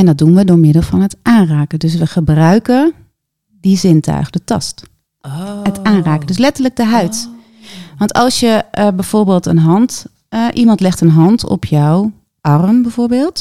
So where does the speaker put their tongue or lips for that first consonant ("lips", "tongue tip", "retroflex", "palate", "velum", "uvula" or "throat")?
tongue tip